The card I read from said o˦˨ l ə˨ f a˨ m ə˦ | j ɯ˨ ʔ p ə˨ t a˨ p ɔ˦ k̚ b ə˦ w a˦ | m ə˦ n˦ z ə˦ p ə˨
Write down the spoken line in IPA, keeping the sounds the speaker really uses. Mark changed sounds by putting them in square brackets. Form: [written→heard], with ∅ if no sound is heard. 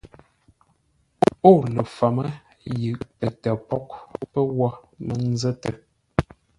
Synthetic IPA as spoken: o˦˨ l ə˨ f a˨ m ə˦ | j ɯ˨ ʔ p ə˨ t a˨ p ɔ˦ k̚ [b→p] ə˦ w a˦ | m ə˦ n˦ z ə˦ [p→t] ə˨